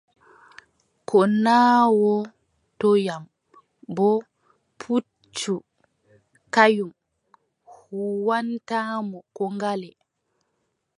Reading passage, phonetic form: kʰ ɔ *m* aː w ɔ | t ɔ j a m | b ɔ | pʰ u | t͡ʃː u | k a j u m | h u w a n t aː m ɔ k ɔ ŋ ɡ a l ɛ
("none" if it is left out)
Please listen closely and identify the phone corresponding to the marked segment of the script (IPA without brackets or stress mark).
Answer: n